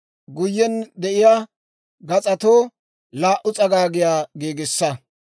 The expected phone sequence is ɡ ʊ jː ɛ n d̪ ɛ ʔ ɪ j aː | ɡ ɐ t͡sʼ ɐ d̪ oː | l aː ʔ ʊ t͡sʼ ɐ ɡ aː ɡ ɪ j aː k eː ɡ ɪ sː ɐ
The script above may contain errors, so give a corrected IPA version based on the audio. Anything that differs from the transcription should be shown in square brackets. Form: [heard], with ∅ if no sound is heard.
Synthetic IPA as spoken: ɡ ʊ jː ɛ n d̪ ɛ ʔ ɪ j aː | ɡ ɐ t͡sʼ ɐ [t̪] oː | l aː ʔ ʊ t͡sʼ ɐ ɡ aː ɡ ɪ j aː [ɡ] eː ɡ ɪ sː ɐ